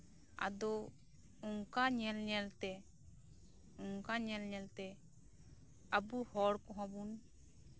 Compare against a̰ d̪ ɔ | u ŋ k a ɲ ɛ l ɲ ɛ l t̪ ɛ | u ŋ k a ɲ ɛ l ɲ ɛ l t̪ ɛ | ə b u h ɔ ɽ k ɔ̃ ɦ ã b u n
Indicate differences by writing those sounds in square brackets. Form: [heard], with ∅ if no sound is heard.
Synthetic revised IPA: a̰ d̪ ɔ | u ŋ k a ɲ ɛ l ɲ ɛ l t̪ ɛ | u ŋ k a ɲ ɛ l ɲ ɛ l t̪ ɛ | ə b u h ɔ ɽ k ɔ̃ ɦ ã b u n